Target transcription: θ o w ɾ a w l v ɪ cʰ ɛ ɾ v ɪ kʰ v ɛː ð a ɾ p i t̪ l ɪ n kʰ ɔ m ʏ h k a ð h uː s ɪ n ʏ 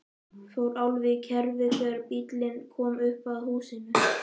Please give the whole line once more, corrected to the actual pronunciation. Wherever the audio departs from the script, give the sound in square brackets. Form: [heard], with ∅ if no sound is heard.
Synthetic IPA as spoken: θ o w ɾ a w l v ɪ cʰ ɛ ɾ v ɪ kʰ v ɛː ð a ɾ p i t̪ l ɪ n kʰ [ɔː] m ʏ h [p] a ð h uː s ɪ n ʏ